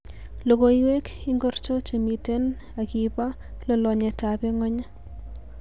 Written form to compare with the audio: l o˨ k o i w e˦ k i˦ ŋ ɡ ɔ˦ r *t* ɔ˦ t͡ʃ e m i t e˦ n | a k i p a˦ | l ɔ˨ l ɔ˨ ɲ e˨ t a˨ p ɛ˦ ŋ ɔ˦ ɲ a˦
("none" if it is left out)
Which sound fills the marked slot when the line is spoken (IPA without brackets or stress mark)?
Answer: t͡ʃ